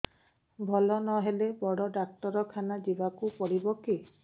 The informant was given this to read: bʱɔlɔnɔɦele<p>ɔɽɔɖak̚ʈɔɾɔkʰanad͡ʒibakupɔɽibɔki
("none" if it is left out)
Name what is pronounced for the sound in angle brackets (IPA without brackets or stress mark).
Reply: b